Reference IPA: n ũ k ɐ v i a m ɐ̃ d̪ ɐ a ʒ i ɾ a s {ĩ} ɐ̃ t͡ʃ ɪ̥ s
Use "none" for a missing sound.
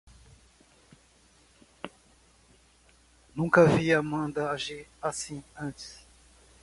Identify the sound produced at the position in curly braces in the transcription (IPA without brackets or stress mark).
ĩ